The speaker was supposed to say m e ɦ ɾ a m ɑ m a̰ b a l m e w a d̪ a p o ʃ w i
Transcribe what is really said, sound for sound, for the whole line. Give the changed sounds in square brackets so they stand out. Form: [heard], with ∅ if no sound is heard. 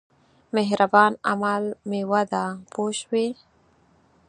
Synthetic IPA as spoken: m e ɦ ɾ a [b] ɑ [n] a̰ [m] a l m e w a d̪ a p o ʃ w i